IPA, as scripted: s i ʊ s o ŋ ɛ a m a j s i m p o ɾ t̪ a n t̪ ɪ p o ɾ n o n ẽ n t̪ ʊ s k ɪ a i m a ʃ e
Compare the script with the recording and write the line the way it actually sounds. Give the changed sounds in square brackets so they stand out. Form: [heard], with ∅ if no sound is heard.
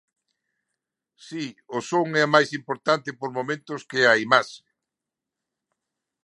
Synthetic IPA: s i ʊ s o ŋ ɛ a m a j s i m p o ɾ t̪ a n t̪ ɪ p o ɾ [m] o [m] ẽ n t̪ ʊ s k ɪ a i m a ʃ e